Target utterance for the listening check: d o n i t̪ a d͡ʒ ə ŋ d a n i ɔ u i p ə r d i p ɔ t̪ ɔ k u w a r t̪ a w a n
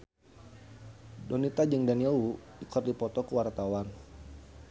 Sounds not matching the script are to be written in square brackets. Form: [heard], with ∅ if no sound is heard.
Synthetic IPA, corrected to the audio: d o n i t̪ a d͡ʒ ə ŋ d a n i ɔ u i [k] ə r d i p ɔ t̪ ɔ k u w a r t̪ a w a n